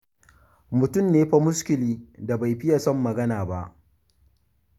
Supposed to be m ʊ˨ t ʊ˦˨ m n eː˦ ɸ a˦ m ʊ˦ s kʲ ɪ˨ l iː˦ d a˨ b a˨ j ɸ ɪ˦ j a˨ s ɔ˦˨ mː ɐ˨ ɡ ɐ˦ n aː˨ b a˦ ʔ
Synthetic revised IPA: m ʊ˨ t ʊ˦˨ m n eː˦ ɸ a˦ m ʊ˦ s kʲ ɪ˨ l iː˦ d a˨ b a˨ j ɸ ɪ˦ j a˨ s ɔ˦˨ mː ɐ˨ ɡ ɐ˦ n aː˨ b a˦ ʔ